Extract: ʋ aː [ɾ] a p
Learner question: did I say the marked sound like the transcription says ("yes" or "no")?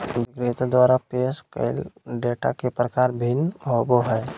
yes